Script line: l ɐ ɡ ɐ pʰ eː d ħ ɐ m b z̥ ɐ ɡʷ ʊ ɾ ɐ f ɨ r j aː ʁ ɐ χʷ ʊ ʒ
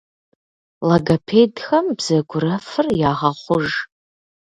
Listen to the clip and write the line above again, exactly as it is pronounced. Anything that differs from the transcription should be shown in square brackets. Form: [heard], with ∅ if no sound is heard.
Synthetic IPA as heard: l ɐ ɡ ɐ pʰ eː d [x] ɐ m b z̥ ɐ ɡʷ ʊ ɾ ɐ f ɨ r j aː ʁ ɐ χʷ ʊ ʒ